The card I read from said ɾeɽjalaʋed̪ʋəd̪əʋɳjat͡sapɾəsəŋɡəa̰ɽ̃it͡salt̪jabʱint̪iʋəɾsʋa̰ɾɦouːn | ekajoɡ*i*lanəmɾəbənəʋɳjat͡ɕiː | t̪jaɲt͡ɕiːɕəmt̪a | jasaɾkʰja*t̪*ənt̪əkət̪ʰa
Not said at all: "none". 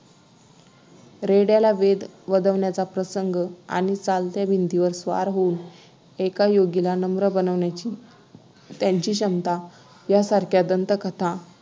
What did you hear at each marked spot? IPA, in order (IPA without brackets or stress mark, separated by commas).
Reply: i, d̪